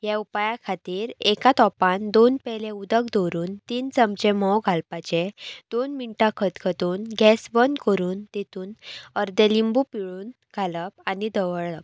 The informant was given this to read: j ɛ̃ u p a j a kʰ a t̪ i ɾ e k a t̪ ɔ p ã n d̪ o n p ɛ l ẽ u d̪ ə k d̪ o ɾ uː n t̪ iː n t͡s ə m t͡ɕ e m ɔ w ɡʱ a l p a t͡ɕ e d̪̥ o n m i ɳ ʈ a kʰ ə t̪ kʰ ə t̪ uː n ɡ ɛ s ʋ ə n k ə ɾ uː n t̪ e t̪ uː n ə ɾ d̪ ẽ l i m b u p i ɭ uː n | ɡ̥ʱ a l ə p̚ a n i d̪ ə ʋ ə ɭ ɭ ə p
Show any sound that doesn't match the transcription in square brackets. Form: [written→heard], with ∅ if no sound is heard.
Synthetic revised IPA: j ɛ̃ u p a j a kʰ a t̪ [i→iː] ɾ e k a t̪ ɔ p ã n d̪ o n p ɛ l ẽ u d̪ ə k d̪ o ɾ uː n t̪ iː n t͡s ə m t͡ɕ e m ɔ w ɡʱ a l p a t͡ɕ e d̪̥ o n m i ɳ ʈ a kʰ ə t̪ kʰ ə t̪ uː n ɡ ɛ s ʋ ə n k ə ɾ uː n t̪ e t̪ uː n ə ɾ d̪ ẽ l i m b u p i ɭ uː n | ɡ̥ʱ a l ə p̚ a n i d̪ ə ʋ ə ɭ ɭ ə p